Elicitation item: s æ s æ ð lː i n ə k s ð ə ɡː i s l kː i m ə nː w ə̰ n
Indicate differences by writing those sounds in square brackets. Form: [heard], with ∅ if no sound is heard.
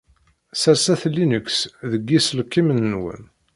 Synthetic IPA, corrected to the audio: s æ s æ [θ] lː i n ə k s ð ə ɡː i s l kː i m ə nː w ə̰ n